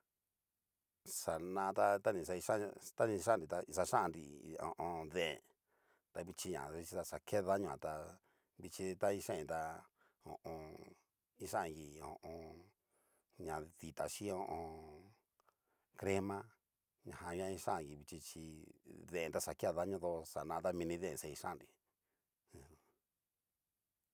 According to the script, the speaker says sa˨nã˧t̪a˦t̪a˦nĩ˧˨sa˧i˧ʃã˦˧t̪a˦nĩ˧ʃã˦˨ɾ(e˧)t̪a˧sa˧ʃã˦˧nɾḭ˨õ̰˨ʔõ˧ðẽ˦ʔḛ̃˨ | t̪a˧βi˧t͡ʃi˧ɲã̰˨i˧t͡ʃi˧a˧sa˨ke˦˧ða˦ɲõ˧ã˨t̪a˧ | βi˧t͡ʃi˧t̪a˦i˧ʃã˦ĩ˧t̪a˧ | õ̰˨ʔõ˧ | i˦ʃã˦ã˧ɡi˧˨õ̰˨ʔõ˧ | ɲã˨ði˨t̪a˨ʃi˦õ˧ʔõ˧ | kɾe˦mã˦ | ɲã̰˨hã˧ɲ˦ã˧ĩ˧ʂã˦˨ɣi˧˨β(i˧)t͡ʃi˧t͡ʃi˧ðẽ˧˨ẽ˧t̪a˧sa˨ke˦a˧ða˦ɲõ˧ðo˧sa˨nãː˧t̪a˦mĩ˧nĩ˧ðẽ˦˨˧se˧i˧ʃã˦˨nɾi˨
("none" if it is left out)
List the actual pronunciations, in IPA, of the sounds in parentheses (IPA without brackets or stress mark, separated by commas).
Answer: i˧, i˧